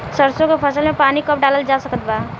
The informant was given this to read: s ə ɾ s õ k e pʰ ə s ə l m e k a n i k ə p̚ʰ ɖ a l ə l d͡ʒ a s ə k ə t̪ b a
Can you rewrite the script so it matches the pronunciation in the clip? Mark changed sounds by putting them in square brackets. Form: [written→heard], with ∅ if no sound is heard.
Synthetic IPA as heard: s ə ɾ s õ k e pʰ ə s ə l m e [k→p] a n i k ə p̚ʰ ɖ a l ə l d͡ʒ a s ə k ə t̪ b a

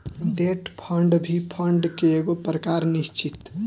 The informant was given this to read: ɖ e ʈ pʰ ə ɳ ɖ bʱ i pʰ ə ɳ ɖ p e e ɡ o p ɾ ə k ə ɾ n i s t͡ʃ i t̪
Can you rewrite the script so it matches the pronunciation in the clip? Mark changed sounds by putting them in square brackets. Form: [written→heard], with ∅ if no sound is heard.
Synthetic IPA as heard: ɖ e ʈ pʰ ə ɳ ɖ bʱ i pʰ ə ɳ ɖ [p→k] e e ɡ o p ɾ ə k [ə→a] ɾ n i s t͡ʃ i t̪

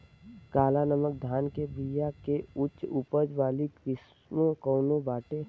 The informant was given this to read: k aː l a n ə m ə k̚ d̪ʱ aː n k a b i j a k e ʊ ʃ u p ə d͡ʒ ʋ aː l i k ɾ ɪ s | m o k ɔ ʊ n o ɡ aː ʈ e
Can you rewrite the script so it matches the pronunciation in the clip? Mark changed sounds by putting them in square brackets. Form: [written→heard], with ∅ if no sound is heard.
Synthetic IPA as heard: k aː l a n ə m ə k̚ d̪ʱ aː n k [a→e] b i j a k e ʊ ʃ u p ə d͡ʒ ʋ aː l i k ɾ ɪ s | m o k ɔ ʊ n o [ɡ→b] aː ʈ e

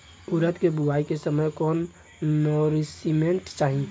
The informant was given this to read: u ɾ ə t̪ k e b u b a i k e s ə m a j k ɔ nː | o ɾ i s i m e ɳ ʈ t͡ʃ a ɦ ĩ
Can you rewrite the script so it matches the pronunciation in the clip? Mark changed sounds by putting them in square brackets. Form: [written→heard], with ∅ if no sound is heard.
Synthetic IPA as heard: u ɾ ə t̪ k e b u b a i k e s ə m [a→ə] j k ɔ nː | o ɾ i s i m e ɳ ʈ t͡ʃ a ɦ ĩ

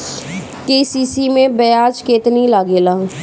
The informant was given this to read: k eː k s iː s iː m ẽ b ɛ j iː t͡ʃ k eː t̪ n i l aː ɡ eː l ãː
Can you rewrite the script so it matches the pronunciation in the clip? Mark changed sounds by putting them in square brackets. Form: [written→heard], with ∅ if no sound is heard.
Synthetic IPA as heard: k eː [k→∅] s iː s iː m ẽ b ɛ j [iː→aː] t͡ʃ k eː t̪ n i l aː ɡ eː l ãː

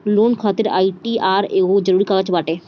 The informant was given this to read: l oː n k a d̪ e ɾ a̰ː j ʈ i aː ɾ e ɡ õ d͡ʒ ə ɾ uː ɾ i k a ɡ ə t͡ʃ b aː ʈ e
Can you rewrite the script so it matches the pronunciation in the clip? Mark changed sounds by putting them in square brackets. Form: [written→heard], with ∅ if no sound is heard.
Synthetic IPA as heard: l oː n [k→kʰ] a [d̪→t̪] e ɾ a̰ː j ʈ i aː ɾ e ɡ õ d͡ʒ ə ɾ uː ɾ i k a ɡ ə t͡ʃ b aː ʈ e

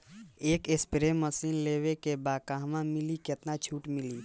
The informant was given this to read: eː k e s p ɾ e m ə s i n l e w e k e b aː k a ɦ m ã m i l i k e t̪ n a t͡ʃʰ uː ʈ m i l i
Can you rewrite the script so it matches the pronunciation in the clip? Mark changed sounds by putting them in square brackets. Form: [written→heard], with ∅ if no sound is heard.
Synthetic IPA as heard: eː k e s p ɾ e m ə s i n l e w e k e b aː k a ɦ m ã m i l i k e t̪ n a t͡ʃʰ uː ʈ m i l i

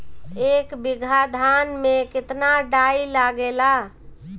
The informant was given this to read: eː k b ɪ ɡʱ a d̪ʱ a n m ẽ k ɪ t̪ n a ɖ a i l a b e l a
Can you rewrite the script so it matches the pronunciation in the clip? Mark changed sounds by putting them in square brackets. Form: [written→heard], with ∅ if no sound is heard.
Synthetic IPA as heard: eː k b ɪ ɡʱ a d̪ʱ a n m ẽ k ɪ t̪ n a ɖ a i l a [b→ɡ] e l a

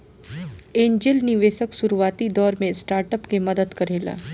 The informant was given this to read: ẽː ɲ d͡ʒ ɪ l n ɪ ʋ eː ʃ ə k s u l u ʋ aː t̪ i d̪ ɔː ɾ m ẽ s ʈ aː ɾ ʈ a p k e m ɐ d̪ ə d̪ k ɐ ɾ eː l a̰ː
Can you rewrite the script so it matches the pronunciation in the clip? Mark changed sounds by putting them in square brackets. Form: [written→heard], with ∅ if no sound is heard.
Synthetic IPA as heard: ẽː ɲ d͡ʒ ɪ l n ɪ ʋ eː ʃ ə k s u [l→ɾ] u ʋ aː t̪ i d̪ ɔː ɾ m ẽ s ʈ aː ɾ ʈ [a→ə] p k e m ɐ d̪ ə d̪ k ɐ ɾ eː l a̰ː

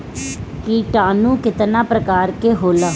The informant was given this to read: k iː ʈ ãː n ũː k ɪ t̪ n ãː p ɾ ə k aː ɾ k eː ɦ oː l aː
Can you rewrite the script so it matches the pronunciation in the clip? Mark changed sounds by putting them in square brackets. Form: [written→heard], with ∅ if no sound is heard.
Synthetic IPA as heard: k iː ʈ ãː n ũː k ɪ t̪ n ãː p ɾ ə k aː ɾ k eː ɦ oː l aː

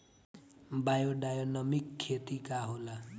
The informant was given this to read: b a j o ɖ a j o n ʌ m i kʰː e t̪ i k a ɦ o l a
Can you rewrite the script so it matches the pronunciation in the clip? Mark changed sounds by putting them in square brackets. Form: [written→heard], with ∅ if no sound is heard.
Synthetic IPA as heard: b a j o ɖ a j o n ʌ m i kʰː e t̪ i k a ɦ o l a

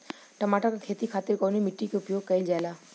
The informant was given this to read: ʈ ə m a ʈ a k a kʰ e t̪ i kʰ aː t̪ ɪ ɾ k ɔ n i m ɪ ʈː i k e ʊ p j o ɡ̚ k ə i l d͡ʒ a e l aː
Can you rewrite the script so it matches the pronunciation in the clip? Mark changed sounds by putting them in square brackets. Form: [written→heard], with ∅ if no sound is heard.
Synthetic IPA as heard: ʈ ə m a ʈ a k a kʰ e t̪ i kʰ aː t̪ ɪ ɾ k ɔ n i m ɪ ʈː i k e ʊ p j o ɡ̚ k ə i l d͡ʒ a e l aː

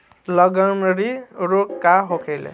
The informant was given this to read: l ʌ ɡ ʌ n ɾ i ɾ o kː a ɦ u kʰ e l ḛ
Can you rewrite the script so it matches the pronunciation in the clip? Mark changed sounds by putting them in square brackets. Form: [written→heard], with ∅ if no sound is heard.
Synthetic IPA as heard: l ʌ ɡ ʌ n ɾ i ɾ o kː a ɦ [u→o] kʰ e l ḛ

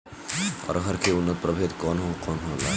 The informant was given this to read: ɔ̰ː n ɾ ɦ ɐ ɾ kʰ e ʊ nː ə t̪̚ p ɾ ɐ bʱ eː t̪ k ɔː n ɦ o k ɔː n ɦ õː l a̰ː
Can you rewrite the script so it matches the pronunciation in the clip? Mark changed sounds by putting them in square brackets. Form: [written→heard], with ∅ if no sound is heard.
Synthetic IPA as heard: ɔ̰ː [n→∅] ɾ ɦ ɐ ɾ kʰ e ʊ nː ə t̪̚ p ɾ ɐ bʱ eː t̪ k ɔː n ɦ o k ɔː n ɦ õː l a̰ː

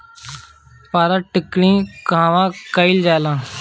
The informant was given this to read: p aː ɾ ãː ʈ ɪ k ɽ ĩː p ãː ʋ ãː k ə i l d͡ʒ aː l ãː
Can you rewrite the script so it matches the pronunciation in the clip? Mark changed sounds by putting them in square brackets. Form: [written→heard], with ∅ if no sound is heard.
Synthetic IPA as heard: p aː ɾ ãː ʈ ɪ k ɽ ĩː [p→k] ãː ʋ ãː k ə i l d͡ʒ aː l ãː

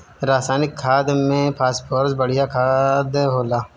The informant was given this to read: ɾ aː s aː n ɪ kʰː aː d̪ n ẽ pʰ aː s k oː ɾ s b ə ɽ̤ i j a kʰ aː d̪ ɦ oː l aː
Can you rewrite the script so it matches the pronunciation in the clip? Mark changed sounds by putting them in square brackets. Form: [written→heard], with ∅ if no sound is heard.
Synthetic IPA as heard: ɾ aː s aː n ɪ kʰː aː d̪ [n→m] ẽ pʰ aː s [k→p] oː ɾ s b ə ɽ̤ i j a kʰ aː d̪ ɦ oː l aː

